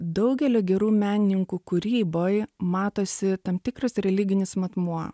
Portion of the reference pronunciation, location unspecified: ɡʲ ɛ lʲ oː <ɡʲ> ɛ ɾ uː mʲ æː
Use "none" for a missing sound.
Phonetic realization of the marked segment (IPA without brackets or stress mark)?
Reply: ɡʲ